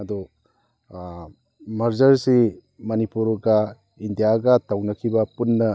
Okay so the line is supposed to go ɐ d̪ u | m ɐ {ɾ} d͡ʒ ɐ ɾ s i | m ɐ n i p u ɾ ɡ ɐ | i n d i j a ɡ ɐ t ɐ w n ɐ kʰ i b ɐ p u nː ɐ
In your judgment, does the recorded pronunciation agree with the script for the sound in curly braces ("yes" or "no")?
yes